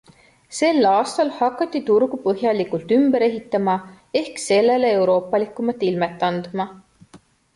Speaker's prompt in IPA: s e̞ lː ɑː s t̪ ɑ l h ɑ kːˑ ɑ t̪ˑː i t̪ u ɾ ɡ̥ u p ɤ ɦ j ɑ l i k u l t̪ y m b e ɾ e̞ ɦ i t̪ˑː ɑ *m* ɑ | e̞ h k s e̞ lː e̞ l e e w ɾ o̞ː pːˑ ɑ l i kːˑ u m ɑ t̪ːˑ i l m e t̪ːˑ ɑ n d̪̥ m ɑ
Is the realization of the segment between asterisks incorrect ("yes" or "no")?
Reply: no